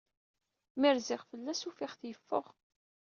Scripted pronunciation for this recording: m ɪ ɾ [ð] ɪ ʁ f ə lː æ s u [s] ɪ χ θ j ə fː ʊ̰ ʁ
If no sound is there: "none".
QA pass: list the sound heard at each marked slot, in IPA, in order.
z, f

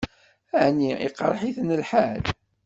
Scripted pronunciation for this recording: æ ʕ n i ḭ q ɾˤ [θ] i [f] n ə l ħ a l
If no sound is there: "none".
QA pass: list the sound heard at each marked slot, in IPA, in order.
ħ, θ

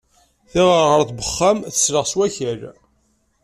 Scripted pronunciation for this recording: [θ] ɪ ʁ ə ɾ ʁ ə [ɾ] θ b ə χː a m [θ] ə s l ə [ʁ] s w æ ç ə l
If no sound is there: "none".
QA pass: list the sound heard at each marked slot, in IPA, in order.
θ, ɾ, θ, ʁ

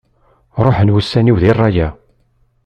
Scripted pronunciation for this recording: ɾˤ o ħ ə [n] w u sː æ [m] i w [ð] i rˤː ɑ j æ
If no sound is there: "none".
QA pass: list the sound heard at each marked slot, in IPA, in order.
n, n, ð

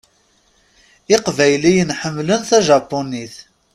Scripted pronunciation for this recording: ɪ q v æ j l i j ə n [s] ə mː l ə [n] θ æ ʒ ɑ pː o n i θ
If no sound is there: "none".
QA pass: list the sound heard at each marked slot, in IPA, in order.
ħ, n

